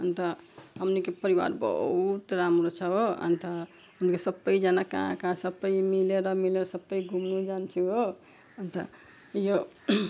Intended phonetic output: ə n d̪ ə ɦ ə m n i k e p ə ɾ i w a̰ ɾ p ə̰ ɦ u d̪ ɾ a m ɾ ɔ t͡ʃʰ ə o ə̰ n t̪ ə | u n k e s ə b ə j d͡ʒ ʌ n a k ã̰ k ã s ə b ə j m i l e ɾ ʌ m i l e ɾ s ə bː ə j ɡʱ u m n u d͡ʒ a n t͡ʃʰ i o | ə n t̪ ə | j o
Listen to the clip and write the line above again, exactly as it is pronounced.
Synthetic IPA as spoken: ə n t̪ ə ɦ ə m n i k e p ə ɾ i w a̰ ɾ b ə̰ ɦ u t̪ ɾ a m ɾ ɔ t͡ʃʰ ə o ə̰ n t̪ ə | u n k e s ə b ə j d͡ʒ a n a k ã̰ k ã s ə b ə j m i l e ɾ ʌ m i l e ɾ s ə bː ə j ɡʱ u m n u d͡ʒ a n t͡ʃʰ i o | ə n t̪ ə | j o